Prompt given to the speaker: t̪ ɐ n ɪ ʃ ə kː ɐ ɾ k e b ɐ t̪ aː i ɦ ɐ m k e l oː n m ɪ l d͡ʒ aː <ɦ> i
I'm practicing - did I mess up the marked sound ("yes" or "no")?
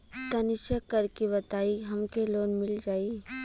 yes